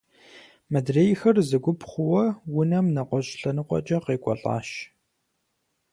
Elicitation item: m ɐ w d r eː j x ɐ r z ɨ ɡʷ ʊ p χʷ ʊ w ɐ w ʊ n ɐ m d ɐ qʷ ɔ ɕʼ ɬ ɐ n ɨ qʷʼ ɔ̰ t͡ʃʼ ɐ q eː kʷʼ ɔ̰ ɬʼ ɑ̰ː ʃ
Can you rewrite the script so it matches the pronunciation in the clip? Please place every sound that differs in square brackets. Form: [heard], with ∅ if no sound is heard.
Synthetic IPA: m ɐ [∅] d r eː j x ɐ r z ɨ ɡʷ ʊ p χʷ ʊ w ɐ w ʊ n ɐ m [n] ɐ qʷ ɔ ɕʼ ɬ ɐ n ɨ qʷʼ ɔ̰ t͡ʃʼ ɐ q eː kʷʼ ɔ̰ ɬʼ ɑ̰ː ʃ